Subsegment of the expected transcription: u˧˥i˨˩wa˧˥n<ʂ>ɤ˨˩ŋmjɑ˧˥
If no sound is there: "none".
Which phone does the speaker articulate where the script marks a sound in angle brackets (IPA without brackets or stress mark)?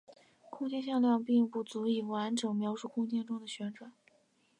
ʈ͡ʂ